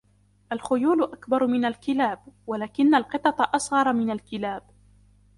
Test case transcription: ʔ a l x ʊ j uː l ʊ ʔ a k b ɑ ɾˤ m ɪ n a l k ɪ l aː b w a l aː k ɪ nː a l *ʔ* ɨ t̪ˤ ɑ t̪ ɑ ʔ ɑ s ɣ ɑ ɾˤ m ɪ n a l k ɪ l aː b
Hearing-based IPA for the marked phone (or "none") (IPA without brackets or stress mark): q